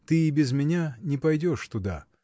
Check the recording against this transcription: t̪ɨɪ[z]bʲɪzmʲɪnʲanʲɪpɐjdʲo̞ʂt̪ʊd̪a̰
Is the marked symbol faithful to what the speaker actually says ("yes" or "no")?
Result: no